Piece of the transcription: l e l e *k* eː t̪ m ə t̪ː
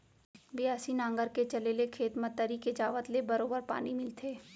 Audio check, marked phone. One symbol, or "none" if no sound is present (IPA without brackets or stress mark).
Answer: kʰ